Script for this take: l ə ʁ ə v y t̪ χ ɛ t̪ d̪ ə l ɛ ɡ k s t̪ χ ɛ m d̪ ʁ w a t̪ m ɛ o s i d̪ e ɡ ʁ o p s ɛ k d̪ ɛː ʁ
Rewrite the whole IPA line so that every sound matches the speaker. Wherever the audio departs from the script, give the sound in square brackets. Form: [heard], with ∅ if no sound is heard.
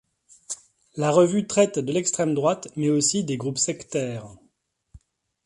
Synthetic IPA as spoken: l [a] ʁ ə v y t̪ χ ɛ t̪ d̪ ə l ɛ [∅] k s t̪ χ ɛ m d̪ ʁ w a t̪ m ɛ o s i d̪ e ɡ ʁ [u] p s ɛ k [t̪] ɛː ʁ